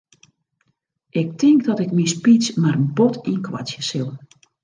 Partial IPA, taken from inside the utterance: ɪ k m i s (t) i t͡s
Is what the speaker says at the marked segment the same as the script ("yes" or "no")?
no